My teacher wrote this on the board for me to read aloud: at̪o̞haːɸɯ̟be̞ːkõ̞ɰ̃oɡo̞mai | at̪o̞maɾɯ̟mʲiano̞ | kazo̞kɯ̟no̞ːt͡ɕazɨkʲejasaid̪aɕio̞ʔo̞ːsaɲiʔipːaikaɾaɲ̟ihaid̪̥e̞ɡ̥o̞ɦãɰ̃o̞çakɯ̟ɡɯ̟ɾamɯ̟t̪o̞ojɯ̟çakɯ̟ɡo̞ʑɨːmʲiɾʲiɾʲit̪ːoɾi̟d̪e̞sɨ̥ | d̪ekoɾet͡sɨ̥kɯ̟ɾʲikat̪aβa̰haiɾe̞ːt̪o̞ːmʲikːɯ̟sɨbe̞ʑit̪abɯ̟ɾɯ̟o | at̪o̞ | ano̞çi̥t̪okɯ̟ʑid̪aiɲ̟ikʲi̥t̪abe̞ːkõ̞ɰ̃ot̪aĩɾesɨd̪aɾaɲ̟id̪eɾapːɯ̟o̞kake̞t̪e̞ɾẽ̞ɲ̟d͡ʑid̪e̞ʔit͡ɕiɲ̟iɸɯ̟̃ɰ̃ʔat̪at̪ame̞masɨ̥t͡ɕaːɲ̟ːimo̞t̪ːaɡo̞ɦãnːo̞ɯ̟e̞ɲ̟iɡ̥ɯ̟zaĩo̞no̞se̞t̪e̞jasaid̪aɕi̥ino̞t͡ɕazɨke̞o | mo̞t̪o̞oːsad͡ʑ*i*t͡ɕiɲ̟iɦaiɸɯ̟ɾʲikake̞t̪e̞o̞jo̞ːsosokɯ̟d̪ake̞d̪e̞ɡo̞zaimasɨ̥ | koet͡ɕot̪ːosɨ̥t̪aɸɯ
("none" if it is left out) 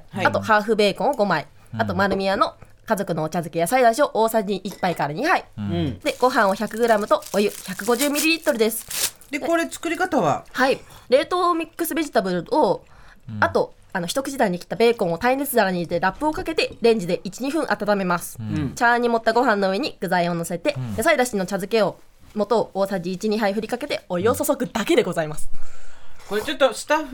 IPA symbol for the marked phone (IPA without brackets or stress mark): iː